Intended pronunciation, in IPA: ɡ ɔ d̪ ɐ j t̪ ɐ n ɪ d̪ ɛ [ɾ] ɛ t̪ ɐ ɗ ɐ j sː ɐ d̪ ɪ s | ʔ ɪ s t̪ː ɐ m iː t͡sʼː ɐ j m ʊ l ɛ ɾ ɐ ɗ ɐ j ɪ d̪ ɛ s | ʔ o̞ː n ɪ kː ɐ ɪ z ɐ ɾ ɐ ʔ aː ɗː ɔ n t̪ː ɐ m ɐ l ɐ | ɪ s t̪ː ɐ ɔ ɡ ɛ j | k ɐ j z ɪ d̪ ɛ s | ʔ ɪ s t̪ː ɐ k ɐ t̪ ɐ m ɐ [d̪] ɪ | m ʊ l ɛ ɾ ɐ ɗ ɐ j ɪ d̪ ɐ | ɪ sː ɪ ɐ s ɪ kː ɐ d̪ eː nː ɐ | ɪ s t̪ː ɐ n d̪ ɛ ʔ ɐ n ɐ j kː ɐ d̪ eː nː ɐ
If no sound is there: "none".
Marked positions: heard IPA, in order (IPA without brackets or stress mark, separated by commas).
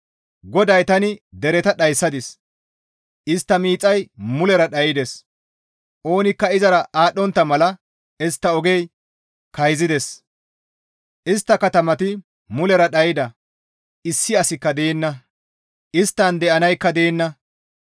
ɾ, t̪